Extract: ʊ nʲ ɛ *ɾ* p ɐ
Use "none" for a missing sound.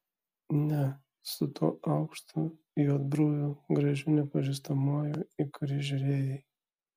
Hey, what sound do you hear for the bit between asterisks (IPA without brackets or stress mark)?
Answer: none